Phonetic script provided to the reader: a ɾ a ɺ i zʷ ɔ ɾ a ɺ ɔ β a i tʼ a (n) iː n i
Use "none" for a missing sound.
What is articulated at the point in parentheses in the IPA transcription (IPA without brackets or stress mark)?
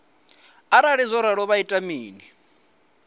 m